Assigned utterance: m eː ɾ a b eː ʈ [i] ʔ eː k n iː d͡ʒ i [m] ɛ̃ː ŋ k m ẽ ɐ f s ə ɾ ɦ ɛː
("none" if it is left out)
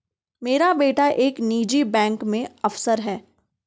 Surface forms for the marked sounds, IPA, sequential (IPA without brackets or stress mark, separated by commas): a, b